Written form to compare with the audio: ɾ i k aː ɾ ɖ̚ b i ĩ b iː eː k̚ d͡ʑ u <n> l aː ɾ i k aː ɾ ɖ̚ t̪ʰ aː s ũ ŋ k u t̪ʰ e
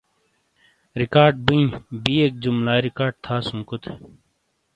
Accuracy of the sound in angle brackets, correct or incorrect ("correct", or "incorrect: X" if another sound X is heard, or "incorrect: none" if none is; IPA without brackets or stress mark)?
incorrect: m